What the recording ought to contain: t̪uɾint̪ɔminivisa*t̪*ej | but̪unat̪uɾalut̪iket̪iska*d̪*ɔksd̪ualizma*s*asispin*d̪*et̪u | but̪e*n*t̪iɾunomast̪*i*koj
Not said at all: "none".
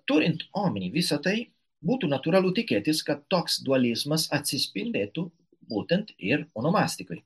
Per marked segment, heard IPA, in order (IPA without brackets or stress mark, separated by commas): t̪, t̪, s, d̪, n, i